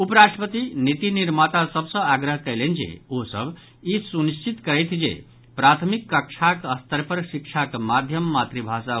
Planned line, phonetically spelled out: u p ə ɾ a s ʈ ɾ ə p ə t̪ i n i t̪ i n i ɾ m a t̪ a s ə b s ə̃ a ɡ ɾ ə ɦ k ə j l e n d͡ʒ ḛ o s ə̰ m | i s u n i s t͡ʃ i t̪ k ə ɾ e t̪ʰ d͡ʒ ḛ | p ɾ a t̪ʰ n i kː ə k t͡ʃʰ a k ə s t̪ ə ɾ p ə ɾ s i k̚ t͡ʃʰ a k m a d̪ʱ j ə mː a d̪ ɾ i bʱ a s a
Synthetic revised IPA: u p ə ɾ a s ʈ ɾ ə p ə t̪ i n i t̪ i n i ɾ m a t̪ a s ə b s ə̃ a ɡ ɾ ə ɦ k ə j l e n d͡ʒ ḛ o s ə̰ b | i s u n i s t͡ʃ i t̪ k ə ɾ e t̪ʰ d͡ʒ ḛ | p ɾ a t̪ʰ m i kː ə k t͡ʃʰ a k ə s t̪ ə ɾ p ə ɾ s i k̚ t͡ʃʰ a k m a d̪ʱ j ə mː a t̪ ɾ i bʱ a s a